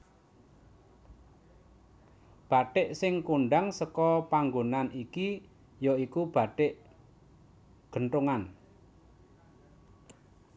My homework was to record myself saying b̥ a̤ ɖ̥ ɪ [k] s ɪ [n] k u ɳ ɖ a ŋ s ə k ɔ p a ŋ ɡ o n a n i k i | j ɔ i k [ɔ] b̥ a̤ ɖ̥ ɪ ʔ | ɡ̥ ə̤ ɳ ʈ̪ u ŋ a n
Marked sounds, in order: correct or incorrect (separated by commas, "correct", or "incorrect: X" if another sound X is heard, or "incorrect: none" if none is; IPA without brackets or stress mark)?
incorrect: ʔ, incorrect: ŋ, incorrect: u